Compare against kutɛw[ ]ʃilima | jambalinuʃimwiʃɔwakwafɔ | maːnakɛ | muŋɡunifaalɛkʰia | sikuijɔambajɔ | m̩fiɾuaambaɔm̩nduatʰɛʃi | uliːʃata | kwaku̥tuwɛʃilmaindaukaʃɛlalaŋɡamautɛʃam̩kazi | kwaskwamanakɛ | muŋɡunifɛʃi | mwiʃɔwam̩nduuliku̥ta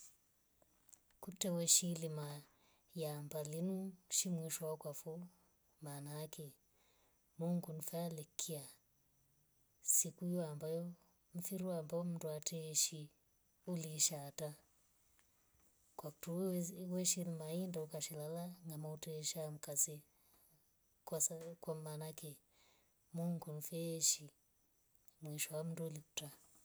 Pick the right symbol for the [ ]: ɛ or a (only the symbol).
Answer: ɛ